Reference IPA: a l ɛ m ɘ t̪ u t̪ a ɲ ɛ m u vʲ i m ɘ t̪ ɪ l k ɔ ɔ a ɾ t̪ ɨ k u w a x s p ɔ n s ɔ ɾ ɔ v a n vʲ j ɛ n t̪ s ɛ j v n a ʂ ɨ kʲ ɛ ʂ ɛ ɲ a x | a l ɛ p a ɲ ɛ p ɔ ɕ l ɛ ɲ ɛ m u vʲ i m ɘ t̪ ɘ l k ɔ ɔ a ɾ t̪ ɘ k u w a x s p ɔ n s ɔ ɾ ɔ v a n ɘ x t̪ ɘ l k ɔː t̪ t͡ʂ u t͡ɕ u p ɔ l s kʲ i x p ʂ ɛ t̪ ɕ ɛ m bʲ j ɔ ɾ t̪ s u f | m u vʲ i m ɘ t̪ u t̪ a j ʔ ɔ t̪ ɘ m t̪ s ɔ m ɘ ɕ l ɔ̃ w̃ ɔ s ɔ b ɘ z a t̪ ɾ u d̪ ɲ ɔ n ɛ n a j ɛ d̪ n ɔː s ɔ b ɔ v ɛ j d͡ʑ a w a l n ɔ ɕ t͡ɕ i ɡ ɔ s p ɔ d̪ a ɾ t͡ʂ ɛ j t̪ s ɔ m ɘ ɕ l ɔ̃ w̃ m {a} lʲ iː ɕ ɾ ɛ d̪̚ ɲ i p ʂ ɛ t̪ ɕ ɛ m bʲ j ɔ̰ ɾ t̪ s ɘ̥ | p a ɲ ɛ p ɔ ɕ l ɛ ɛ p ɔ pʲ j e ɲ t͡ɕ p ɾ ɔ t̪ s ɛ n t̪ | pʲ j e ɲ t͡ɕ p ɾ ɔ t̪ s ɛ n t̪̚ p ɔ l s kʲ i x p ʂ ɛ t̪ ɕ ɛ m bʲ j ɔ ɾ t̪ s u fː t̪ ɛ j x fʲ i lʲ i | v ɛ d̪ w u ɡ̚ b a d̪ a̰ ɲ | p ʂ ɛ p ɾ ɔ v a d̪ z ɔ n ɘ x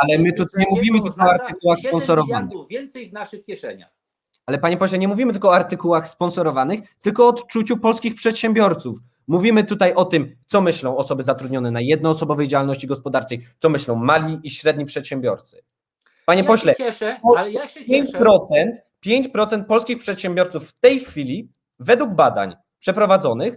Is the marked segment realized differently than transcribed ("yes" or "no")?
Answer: no